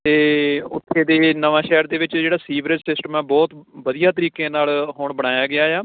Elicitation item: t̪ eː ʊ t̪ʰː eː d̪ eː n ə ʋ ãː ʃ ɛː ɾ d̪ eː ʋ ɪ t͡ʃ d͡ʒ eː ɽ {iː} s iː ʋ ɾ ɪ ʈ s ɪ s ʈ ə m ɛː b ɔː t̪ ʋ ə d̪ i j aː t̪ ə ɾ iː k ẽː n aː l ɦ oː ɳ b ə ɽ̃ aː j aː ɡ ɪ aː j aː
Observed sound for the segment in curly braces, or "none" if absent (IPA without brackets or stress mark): aː